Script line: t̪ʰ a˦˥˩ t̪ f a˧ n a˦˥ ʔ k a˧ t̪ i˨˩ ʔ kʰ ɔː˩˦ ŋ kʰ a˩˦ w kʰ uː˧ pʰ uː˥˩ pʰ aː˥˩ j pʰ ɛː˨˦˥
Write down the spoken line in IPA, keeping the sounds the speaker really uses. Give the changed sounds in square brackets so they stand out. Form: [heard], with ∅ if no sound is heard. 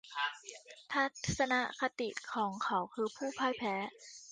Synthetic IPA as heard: t̪ʰ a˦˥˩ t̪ [s] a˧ n a˦˥ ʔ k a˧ t̪ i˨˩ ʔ kʰ ɔː˩˦ ŋ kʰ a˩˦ w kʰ [ɯː˧] pʰ uː˥˩ pʰ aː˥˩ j pʰ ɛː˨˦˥